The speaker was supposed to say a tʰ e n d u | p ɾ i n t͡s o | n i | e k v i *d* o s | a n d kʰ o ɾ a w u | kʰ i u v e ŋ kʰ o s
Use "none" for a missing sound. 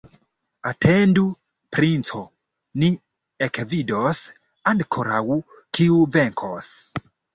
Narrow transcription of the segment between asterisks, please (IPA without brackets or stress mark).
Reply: d